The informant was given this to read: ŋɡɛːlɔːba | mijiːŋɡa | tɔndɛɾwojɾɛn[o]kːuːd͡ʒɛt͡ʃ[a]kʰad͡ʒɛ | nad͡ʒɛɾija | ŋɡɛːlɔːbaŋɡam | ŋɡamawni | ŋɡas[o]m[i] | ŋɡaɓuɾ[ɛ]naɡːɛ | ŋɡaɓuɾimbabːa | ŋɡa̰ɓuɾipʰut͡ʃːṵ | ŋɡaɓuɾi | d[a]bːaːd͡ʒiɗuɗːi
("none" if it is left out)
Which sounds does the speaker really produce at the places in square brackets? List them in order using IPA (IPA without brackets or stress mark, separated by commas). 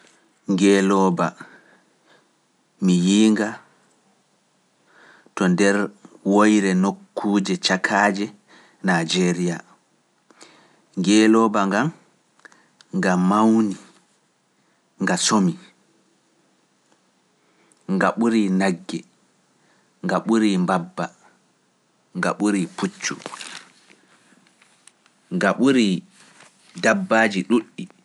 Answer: o, a, o, i, i, a